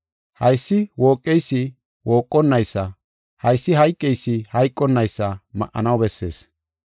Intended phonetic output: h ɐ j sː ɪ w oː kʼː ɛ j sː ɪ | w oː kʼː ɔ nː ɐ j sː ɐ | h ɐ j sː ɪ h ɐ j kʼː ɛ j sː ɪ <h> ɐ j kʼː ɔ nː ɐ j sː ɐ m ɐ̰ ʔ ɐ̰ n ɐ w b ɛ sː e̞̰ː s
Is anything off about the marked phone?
no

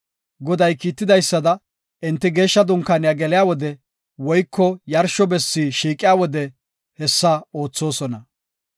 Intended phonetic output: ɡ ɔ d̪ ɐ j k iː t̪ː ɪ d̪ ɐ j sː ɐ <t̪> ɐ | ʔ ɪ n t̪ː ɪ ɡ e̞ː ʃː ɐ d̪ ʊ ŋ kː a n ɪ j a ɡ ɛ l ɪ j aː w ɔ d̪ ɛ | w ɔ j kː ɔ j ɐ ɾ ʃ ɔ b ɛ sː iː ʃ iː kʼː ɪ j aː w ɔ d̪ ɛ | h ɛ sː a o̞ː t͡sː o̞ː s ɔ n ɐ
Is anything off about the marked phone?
yes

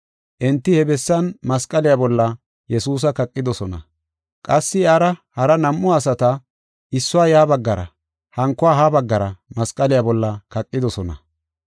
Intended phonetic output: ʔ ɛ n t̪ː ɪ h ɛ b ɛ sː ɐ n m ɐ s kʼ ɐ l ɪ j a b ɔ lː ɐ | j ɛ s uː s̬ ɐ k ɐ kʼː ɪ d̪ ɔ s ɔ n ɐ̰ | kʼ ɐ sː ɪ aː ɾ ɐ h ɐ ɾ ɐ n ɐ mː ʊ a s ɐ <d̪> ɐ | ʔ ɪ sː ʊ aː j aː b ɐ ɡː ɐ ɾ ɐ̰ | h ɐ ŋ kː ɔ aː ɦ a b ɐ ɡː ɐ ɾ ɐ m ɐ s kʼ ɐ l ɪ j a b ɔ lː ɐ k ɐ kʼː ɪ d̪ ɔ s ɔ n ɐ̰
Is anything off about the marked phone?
yes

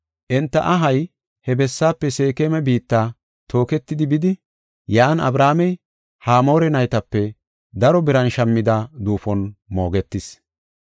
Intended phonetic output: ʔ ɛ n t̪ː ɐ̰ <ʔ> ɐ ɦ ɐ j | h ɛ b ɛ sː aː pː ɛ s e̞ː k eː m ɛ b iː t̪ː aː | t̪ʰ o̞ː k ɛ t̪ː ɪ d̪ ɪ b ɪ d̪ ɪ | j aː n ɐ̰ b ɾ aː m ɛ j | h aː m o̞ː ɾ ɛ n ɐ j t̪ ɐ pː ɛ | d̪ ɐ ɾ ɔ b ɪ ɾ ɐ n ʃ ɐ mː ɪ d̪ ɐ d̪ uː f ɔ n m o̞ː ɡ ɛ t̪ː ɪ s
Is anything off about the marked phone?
no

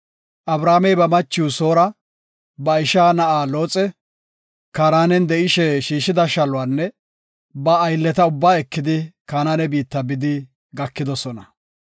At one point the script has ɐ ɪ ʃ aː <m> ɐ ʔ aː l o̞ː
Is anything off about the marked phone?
yes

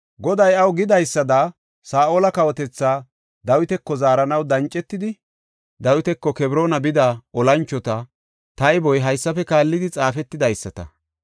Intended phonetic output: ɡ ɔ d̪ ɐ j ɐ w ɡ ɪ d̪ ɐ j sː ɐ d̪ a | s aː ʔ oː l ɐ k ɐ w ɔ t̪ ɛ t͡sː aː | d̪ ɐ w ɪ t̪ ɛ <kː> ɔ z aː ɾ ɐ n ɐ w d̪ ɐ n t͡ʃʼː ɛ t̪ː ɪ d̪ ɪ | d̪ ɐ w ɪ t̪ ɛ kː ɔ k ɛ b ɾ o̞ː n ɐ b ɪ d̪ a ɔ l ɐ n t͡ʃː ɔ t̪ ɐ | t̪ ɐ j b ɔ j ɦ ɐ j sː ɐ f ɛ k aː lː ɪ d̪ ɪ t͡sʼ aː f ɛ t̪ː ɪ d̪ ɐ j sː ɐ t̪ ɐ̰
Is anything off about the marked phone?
no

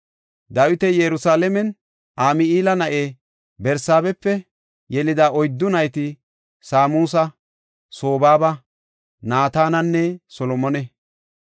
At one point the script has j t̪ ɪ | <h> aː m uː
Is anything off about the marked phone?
yes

